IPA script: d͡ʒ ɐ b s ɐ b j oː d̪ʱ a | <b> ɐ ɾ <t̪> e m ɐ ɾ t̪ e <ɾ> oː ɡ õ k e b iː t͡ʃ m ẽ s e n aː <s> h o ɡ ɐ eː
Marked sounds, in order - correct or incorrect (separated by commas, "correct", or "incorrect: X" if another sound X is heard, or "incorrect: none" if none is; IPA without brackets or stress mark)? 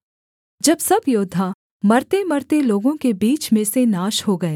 incorrect: m, correct, incorrect: l, incorrect: ʃ